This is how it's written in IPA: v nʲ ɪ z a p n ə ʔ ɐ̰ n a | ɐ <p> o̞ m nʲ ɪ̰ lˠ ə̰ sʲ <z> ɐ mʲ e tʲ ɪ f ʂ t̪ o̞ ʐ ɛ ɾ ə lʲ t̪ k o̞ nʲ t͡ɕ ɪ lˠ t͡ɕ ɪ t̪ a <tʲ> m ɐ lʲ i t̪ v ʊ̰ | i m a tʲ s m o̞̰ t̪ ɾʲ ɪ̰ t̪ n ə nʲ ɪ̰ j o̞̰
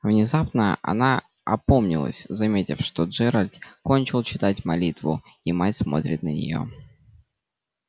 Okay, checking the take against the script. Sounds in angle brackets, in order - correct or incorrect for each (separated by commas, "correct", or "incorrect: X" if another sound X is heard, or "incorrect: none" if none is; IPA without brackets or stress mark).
correct, correct, correct